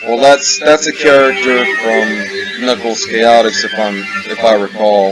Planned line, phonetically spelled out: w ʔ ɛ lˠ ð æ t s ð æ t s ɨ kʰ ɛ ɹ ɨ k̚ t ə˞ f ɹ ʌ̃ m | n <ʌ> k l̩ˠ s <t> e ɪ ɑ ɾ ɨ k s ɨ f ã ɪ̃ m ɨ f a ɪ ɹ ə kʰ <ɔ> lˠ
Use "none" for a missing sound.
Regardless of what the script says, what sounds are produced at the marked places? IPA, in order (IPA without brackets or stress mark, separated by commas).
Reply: ʌ, k, ɔ